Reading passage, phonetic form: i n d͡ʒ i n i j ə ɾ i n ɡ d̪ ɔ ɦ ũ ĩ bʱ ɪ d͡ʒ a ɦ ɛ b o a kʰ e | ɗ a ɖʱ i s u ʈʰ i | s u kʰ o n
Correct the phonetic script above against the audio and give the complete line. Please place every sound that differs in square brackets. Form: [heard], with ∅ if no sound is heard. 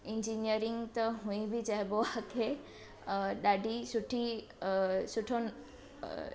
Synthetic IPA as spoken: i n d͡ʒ i n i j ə ɾ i [ŋ] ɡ [t̪] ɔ ɦ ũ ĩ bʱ [i] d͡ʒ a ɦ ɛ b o a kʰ e | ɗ a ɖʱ i s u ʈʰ i | s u [ʈʰ] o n